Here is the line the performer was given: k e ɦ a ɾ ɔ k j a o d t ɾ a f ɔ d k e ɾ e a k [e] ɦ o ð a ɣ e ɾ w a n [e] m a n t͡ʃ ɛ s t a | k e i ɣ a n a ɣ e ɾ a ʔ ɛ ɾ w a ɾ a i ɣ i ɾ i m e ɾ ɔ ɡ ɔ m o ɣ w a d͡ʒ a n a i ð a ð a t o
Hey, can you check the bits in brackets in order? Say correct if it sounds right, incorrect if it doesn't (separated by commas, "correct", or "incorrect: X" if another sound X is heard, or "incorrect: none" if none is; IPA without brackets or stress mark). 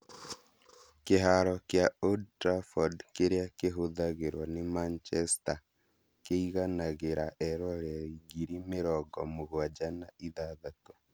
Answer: correct, correct